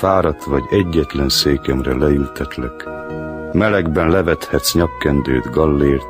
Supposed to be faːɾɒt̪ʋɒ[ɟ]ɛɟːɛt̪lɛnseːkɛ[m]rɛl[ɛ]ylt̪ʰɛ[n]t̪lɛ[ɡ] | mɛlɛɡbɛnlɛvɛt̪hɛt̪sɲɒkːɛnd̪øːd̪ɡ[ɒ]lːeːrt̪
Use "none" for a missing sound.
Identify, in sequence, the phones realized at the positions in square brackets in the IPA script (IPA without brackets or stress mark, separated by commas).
ɟ, m, ɛ, none, k, ɒ